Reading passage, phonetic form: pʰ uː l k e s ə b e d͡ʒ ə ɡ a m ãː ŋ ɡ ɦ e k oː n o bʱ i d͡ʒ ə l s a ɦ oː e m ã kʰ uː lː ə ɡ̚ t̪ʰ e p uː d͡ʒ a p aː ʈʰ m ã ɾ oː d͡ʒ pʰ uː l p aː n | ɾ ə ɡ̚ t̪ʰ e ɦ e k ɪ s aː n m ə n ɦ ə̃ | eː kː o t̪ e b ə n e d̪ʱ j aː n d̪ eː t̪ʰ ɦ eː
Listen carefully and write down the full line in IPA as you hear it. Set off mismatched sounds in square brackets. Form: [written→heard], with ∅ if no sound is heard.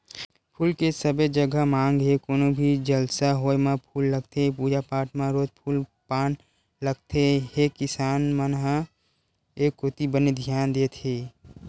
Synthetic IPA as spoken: pʰ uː l k e s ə b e d͡ʒ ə ɡ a m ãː ŋ ɡ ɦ e k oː n o bʱ i d͡ʒ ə l s a ɦ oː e m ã [kʰ→pʰ] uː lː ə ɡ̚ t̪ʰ e p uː d͡ʒ a p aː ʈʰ m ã ɾ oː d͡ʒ pʰ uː l p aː n | [ɾ→l] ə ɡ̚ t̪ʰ e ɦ e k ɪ s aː n m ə n ɦ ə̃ | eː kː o t̪ [e→i] b ə n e d̪ʱ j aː n d̪ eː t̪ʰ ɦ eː